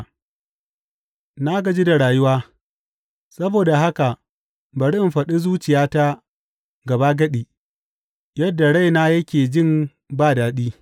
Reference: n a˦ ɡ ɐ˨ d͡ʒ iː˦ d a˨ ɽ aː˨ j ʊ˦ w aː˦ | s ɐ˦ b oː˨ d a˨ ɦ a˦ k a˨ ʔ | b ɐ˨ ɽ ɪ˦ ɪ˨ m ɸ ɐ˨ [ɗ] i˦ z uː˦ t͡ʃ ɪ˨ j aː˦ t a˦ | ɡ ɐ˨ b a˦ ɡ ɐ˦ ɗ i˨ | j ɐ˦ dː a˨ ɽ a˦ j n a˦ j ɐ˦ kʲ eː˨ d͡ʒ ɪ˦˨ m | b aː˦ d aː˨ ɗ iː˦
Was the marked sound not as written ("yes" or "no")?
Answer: no